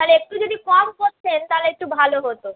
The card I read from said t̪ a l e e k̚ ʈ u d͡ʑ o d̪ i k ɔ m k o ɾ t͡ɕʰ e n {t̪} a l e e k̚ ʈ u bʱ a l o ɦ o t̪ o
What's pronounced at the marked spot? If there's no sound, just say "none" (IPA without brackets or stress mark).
t̪